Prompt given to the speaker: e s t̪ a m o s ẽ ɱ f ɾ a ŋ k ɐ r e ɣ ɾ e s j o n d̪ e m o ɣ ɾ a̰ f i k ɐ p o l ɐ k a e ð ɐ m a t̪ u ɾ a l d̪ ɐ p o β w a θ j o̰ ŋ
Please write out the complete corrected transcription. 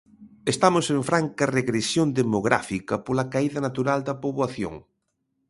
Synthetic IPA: e s t̪ a m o s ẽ ɱ f ɾ a ŋ k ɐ r e ɣ ɾ e s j o n d̪ e m o ɣ ɾ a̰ f i k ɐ p o l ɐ k a i ð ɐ n a t̪ u ɾ a l d̪ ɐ p o β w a θ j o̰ ŋ